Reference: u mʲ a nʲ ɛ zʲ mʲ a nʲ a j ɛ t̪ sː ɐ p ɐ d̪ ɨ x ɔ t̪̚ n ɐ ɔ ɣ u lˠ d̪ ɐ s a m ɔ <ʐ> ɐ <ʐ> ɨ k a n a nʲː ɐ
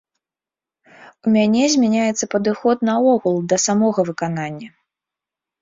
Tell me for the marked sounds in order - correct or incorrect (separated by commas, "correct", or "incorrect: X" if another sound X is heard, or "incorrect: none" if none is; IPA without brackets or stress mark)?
incorrect: ɣ, incorrect: v